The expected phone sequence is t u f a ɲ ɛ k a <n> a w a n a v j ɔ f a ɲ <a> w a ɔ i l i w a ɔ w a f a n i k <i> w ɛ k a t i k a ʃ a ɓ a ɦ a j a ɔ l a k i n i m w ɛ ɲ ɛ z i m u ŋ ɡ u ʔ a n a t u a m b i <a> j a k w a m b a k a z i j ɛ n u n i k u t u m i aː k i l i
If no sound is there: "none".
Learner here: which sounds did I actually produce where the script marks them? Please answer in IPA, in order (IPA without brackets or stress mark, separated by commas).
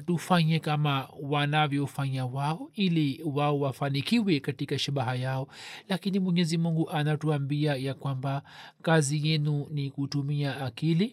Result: m, a, i, a